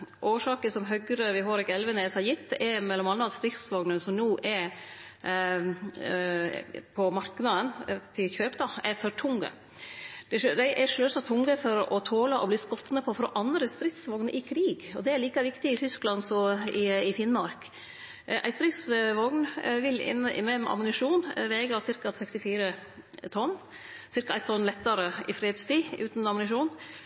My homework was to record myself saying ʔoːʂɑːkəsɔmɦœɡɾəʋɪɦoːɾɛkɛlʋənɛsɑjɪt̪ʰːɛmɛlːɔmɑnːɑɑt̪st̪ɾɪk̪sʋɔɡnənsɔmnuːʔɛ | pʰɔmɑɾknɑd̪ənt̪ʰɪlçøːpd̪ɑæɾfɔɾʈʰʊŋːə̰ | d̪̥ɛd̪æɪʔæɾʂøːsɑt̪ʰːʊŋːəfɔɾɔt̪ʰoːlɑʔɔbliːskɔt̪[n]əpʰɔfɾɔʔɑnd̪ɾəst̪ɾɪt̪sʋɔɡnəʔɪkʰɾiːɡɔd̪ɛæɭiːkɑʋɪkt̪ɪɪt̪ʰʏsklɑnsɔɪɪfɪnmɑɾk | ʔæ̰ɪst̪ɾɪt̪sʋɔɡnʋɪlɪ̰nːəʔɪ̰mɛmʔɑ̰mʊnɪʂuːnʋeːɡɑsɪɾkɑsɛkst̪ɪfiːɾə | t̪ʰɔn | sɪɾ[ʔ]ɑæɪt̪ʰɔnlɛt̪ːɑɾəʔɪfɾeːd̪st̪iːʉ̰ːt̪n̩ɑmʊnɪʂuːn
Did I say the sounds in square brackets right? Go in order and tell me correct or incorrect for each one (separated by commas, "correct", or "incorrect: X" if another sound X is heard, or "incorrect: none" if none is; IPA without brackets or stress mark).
correct, incorrect: k